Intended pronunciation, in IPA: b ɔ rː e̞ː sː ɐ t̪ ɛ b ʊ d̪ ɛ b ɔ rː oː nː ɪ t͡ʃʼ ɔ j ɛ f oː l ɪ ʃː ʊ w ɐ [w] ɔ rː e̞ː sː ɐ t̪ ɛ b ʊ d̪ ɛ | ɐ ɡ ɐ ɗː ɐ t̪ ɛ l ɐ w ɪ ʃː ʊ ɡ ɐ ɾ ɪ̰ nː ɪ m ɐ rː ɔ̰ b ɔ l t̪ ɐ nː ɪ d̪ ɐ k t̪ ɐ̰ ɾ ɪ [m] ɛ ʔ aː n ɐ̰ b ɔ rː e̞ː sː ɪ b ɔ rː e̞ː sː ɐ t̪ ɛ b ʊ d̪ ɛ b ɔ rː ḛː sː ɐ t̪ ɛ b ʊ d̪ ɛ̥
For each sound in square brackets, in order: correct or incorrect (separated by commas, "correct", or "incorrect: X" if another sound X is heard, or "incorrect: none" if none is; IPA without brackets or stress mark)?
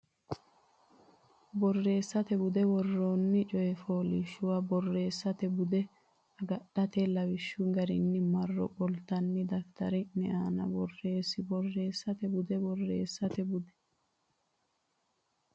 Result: incorrect: b, incorrect: n